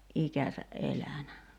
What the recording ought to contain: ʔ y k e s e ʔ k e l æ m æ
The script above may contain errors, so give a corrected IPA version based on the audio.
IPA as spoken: ʔ i k æ s æ ʔ ʔ e l æ n æ